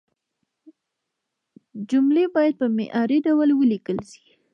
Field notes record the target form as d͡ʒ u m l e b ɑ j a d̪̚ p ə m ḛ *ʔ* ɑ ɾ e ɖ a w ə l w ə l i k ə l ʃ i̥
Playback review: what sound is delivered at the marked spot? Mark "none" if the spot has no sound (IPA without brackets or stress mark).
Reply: ʔ